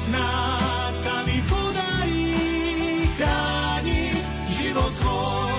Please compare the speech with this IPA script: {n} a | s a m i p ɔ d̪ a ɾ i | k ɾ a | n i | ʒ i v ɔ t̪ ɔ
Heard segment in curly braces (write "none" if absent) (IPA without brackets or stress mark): n